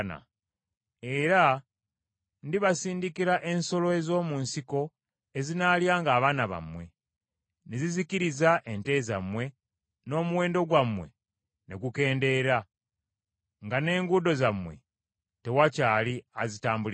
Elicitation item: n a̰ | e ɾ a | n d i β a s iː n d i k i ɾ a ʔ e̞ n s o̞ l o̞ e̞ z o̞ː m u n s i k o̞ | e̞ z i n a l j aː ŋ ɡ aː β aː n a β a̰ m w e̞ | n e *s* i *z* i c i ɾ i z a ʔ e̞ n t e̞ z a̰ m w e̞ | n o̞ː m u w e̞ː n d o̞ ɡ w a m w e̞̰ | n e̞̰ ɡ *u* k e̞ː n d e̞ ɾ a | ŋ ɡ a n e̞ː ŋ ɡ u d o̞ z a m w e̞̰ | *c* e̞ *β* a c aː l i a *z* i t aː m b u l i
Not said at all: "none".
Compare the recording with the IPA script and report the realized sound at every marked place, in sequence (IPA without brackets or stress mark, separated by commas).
z, z, u, t, w, z